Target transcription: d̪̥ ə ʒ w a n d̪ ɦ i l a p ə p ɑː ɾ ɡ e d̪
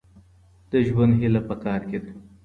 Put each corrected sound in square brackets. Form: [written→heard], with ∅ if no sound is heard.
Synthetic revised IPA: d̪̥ ə ʒ w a n d̪ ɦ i l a p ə [p→k] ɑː ɾ [ɡ→k] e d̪